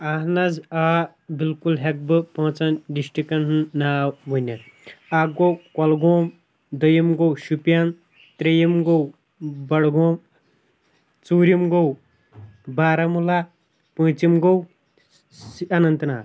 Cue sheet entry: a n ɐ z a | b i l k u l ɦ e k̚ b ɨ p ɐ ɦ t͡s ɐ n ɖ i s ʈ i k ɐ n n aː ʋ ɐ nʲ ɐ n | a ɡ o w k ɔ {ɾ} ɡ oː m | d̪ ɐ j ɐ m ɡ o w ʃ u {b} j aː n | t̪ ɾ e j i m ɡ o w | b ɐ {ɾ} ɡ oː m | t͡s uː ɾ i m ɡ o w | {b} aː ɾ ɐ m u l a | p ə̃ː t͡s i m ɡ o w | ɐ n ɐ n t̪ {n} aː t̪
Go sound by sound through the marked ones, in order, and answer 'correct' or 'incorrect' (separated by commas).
incorrect, incorrect, incorrect, correct, correct